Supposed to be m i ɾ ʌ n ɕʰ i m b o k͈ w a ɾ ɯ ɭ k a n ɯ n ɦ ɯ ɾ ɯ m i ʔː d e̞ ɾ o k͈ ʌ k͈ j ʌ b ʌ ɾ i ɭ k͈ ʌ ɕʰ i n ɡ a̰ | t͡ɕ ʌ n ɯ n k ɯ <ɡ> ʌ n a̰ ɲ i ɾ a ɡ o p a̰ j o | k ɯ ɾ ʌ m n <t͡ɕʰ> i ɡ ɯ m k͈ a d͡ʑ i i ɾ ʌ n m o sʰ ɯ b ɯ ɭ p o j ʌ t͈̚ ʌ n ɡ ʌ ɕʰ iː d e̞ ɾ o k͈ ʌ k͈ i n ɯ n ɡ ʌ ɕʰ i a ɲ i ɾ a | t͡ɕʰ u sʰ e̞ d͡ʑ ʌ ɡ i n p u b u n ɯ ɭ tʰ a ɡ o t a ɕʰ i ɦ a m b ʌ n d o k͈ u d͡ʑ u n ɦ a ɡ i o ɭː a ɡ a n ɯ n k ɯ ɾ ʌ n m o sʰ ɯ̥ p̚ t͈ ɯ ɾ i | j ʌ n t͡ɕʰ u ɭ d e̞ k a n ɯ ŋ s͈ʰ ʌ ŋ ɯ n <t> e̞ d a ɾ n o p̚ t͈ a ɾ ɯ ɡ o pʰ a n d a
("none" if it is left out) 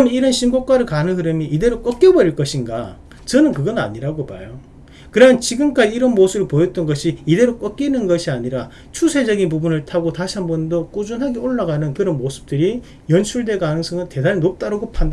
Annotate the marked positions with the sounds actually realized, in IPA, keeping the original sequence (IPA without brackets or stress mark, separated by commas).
ɡ, t͡ɕ, t